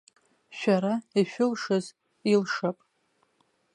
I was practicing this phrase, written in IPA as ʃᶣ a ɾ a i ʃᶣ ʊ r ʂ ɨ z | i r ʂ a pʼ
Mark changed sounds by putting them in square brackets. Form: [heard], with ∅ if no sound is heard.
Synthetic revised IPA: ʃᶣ a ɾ a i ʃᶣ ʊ [l] ʂ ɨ z | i [l] ʂ a pʼ